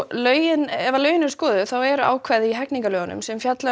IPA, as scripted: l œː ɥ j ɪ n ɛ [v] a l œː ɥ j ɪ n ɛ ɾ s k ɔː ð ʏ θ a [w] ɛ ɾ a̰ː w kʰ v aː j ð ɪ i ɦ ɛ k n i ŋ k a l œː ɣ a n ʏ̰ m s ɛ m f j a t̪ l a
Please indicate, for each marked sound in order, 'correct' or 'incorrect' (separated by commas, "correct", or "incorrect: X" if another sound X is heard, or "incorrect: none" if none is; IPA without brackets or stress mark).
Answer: correct, correct